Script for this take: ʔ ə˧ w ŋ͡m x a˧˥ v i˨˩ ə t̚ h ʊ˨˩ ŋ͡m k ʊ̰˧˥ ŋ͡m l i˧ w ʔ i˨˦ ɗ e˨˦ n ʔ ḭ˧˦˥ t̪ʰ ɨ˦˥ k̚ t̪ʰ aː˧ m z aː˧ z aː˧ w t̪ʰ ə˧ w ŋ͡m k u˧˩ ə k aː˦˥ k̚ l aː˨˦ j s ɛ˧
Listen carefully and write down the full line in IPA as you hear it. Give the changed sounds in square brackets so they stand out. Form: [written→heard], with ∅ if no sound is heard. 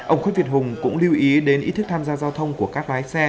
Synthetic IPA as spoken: ʔ ə˧ w ŋ͡m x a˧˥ v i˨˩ ə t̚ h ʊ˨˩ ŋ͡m k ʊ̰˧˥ ŋ͡m l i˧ w ʔ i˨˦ ɗ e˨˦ n ʔ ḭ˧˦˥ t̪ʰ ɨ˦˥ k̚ t̪ʰ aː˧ m z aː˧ z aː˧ w t̪ʰ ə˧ w ŋ͡m k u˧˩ ə k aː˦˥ k̚ l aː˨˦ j s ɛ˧